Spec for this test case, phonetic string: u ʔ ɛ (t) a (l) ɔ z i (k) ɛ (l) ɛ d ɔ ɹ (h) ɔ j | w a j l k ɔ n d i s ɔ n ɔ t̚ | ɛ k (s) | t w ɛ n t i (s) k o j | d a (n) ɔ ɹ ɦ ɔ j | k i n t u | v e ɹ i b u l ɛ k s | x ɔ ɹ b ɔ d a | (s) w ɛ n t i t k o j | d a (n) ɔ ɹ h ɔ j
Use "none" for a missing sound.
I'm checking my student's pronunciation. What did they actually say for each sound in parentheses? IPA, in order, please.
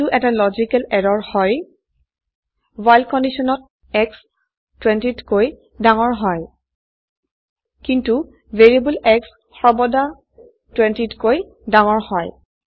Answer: t, l, k, l, h, s, t, ŋ, t, ŋ

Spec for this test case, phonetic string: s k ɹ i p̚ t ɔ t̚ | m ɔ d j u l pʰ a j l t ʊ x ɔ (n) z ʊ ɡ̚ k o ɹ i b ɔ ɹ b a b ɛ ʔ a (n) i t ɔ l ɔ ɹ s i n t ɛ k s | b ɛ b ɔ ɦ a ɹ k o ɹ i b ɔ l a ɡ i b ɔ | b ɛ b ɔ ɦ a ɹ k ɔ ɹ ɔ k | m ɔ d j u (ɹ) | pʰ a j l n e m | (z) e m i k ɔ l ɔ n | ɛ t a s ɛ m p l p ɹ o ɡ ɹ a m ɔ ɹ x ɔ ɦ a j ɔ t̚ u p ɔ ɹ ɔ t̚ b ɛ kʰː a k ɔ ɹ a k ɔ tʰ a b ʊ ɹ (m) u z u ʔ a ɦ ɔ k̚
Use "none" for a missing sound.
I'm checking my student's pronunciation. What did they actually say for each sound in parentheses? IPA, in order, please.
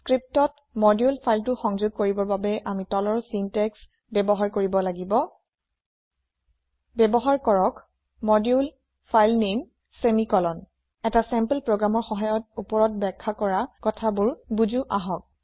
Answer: ŋ, m, l, s, b

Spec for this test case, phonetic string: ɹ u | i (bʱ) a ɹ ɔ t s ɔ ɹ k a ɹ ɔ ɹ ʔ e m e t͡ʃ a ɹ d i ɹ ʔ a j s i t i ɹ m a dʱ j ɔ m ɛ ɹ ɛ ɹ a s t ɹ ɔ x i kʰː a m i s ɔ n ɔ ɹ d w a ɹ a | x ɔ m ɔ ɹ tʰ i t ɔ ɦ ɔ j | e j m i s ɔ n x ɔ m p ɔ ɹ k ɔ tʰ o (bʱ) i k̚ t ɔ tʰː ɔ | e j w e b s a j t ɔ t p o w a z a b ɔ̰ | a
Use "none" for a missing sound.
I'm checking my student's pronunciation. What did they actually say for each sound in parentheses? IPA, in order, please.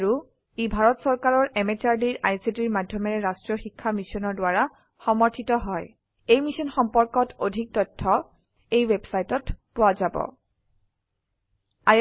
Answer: bʱ, dʱ

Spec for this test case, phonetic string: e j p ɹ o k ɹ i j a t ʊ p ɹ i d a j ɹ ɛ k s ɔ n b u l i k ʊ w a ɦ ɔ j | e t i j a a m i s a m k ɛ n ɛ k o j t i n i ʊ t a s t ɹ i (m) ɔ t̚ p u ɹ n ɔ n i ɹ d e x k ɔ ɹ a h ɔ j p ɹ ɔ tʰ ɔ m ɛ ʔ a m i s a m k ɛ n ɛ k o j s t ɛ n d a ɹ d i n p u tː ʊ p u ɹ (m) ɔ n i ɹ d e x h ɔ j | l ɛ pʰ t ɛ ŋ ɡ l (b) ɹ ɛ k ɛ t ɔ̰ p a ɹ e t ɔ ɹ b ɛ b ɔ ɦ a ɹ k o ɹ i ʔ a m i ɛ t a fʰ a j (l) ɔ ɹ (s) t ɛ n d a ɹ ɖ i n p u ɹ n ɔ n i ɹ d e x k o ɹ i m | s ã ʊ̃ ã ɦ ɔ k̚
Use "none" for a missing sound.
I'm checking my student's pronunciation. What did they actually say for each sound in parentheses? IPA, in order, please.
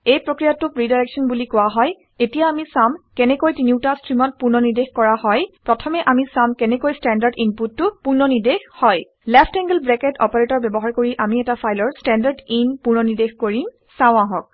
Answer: m, n, b, l, s

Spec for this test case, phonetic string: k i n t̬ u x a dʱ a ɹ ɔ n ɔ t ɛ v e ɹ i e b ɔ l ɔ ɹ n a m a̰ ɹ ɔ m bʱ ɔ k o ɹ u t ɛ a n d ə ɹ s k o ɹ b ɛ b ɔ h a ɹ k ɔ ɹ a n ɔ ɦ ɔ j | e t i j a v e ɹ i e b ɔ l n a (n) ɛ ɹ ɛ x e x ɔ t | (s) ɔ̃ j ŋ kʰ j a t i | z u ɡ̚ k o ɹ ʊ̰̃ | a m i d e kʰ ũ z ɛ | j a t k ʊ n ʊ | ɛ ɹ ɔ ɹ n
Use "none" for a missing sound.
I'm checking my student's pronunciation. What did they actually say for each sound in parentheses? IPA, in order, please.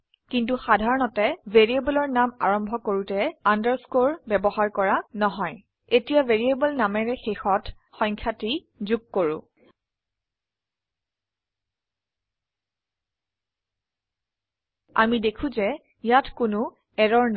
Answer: m, x

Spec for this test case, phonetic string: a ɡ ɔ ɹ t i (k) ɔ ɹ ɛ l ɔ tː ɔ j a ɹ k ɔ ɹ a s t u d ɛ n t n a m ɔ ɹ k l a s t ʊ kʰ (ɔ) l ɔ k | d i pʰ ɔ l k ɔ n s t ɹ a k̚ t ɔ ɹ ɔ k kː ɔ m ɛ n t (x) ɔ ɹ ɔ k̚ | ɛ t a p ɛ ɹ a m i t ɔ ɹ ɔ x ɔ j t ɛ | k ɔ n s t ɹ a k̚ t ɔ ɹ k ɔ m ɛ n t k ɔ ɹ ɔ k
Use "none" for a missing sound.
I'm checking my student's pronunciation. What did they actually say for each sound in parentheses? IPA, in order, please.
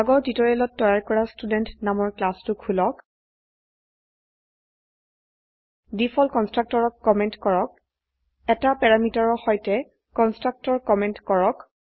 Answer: t, u, k

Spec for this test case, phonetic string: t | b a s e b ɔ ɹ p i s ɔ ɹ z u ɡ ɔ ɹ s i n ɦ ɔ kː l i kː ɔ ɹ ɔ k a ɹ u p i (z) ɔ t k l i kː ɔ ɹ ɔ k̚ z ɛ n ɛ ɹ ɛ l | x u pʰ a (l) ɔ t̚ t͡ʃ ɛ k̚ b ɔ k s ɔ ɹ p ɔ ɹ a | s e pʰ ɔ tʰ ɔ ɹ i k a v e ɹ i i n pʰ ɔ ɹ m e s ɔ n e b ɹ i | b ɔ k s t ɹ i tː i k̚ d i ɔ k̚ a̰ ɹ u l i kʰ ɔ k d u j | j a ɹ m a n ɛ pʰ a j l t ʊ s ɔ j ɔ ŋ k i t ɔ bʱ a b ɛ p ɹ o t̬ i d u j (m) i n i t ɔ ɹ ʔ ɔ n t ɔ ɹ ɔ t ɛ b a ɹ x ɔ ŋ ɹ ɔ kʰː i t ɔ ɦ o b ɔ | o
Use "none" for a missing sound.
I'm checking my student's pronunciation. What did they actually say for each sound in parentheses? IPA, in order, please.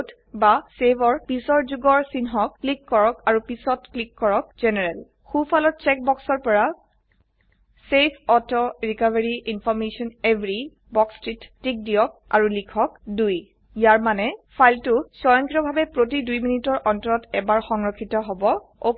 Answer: s, l, m

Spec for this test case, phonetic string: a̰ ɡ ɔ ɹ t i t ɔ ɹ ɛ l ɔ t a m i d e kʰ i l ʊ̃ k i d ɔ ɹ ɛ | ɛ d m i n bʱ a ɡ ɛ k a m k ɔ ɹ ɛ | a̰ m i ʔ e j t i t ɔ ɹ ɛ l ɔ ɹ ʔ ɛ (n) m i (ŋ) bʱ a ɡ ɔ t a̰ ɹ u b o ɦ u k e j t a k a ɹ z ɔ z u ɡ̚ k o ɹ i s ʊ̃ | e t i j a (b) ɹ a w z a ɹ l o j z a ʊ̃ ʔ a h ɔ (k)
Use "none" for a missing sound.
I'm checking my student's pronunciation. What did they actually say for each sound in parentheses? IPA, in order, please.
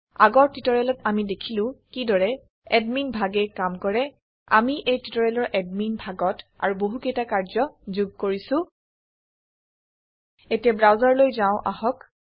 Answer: d, n, b, k

